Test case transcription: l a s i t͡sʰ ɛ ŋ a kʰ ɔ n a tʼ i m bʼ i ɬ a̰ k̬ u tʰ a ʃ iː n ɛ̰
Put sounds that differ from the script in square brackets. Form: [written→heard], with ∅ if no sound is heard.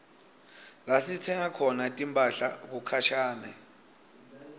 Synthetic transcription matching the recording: l a s i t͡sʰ ɛ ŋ a kʰ ɔ n a tʼ i m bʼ [i→a] ɬ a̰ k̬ u [tʰ→kʰ] a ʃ [iː→aː] n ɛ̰